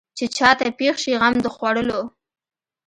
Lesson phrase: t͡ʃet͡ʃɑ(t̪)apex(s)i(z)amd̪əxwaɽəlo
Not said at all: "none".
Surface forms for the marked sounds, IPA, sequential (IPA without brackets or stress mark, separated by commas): t̪, ʃ, ɣ